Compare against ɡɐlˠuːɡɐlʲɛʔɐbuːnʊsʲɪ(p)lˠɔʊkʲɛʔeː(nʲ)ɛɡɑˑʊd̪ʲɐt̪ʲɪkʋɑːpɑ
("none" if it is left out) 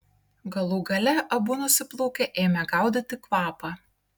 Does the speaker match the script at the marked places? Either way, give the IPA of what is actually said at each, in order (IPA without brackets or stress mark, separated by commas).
p, mʲ